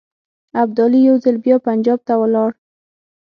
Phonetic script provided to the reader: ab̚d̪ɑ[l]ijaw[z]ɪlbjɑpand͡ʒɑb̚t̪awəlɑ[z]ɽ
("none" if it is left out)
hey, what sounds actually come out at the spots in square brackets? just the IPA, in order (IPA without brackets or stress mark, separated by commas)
l, z, none